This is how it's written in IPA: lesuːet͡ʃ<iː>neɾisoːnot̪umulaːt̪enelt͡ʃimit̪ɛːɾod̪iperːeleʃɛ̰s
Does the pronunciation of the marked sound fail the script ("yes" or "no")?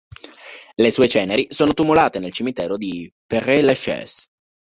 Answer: yes